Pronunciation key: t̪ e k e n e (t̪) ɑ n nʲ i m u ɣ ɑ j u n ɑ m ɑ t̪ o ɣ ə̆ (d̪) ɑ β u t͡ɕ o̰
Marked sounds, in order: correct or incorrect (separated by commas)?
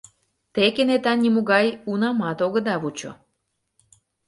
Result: correct, correct